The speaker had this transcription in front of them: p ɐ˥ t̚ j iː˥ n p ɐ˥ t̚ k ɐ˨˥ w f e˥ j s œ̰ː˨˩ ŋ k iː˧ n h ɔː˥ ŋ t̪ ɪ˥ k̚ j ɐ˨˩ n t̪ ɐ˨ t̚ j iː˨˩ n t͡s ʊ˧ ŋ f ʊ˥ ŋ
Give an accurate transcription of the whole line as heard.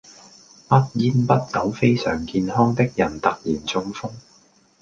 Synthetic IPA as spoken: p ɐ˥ t̚ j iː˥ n p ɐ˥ t̚ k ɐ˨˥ w f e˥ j s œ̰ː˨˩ ŋ k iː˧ n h ɔː˥ ŋ t̪ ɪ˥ k̚ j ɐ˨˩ n t̪ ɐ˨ k̚ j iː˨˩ n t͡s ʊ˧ ŋ f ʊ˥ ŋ